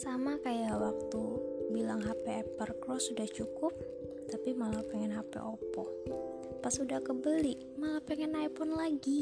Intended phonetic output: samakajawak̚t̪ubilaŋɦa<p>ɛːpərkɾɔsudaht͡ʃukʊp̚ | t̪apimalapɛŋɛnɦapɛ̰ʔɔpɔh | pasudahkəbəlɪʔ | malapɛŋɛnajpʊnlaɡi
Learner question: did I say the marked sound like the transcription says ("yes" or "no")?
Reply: yes